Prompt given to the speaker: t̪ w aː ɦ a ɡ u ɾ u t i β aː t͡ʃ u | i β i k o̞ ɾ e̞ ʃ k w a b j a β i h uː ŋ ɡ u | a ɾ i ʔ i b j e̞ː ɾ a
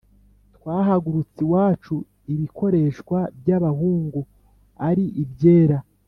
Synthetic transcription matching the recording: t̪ w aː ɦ a ɡ u ɾ u t͡s i w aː t͡ʃ u | i β i k o̞ ɾ e̞ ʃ k w a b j a β a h uː ŋ ɡ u | a ɾ i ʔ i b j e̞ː ɾ a